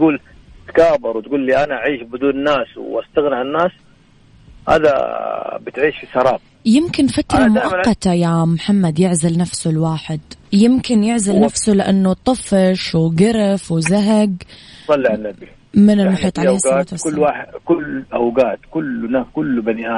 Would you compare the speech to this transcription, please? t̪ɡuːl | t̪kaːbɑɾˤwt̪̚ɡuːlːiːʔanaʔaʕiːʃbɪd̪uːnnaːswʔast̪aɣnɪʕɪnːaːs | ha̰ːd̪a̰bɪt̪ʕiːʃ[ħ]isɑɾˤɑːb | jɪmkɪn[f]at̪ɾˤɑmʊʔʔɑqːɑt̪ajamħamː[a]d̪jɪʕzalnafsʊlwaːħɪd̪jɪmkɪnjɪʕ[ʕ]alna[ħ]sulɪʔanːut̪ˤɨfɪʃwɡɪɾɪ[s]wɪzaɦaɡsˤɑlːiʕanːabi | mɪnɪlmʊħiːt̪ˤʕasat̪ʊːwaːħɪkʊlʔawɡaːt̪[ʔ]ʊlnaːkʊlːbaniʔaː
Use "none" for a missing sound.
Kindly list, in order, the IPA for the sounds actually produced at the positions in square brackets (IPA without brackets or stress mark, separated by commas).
f, f, a, z, f, f, k